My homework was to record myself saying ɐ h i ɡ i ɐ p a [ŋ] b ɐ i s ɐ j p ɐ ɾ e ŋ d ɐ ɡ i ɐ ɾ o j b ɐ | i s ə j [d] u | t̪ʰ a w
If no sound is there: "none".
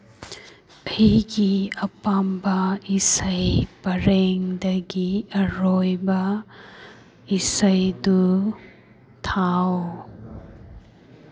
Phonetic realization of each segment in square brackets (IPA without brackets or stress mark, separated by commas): m, d